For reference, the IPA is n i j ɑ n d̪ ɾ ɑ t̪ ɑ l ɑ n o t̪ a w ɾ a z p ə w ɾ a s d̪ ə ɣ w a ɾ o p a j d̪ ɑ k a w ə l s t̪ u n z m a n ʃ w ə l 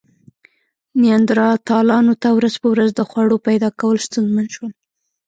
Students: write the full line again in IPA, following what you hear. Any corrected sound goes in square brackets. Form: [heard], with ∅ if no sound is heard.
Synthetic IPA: n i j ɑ n d̪ ɾ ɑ t̪ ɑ l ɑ n o t̪ a w ɾ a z p ə w ɾ a [z] d̪ ə [x] w a [ɽ] o p a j d̪ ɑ k a w ə l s t̪ u n z m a n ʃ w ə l